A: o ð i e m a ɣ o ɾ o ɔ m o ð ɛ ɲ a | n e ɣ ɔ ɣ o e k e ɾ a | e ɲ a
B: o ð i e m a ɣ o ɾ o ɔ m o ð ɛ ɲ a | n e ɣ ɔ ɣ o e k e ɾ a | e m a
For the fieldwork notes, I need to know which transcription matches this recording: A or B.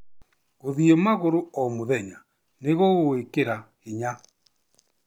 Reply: A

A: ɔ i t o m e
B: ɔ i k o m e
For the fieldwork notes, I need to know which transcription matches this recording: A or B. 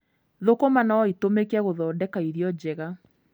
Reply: A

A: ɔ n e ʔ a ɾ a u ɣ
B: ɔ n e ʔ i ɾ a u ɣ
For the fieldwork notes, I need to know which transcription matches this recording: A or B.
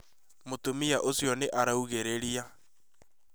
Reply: A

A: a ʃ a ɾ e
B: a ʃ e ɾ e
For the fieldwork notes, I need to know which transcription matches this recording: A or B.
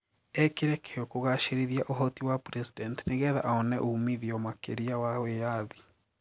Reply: B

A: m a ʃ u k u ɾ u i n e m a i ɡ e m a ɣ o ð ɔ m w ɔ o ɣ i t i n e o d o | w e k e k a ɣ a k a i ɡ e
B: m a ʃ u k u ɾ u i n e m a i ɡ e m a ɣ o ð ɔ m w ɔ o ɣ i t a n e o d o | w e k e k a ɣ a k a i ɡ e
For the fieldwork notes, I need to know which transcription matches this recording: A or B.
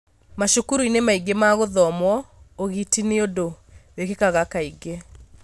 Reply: A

